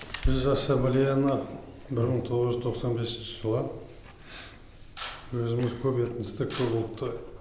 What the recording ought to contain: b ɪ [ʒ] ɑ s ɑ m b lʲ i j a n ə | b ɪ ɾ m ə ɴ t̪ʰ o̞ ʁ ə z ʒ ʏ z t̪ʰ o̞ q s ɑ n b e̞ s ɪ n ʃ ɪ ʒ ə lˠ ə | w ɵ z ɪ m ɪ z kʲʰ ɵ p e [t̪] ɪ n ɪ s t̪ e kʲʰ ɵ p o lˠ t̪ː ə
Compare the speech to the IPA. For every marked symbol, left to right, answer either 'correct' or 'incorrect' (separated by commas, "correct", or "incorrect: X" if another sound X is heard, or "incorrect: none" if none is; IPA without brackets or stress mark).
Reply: incorrect: z, correct